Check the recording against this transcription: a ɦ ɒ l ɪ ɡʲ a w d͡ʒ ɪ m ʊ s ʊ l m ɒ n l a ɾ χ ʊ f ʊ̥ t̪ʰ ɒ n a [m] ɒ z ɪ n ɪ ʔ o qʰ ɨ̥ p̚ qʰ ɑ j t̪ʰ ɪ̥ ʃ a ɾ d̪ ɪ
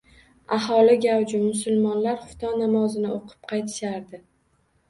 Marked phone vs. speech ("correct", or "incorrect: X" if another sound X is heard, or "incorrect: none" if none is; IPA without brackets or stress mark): correct